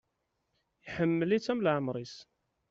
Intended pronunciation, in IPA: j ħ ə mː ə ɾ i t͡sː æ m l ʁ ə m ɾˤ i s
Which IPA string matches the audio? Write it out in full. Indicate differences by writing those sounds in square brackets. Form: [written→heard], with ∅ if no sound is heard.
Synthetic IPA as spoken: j ħ ə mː ə [ɾ→l] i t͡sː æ m l [ʁ→ʕ] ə m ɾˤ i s